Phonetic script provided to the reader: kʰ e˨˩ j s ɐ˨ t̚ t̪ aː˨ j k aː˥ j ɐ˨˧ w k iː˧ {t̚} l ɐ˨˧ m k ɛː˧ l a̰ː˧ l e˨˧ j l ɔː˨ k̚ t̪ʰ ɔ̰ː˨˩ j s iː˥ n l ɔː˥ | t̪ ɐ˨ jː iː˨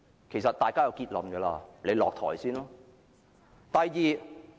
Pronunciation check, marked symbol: correct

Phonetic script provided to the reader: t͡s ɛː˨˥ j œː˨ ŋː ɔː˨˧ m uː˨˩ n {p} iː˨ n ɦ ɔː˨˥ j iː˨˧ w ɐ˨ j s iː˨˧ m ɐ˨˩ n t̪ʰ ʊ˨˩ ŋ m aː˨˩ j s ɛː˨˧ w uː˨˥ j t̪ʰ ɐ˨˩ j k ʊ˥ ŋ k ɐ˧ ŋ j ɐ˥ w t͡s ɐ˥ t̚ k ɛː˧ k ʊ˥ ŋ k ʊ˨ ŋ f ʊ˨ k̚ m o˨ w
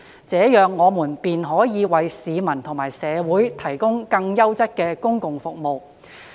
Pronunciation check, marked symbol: correct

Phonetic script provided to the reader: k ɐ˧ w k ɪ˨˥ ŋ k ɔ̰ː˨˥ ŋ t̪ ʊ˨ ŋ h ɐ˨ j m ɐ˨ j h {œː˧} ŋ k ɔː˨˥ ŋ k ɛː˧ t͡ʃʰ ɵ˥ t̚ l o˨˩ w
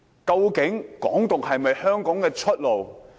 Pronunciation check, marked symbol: incorrect: œː˥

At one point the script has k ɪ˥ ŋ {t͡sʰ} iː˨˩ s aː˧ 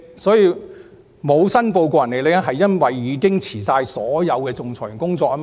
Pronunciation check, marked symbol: correct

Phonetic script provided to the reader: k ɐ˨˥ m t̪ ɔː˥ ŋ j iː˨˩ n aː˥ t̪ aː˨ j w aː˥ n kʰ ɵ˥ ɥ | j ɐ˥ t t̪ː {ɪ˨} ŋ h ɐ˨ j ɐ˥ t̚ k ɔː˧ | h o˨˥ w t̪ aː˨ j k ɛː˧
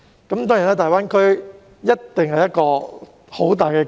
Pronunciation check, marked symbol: correct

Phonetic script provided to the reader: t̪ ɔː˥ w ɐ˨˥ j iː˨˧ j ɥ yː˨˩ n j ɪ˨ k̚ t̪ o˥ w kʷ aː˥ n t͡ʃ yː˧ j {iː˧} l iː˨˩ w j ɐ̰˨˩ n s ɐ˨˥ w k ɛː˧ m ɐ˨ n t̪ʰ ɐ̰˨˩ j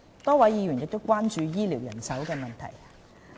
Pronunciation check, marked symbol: incorrect: iː˥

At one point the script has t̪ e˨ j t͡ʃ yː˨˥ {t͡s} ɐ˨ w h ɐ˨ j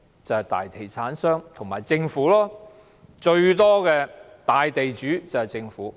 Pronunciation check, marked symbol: correct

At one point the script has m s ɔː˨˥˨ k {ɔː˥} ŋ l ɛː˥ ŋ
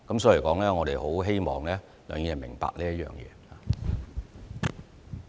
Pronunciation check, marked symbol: incorrect: ɔː˨˥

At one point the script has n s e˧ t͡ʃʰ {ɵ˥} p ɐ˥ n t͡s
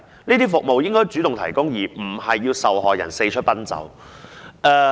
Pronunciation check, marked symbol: correct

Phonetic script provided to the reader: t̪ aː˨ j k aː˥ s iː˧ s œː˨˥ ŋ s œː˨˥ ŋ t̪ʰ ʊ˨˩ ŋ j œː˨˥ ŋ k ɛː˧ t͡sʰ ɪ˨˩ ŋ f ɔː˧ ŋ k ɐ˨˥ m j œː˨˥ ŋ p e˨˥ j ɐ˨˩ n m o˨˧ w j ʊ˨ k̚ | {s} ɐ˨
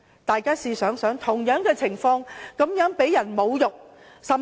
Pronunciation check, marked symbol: correct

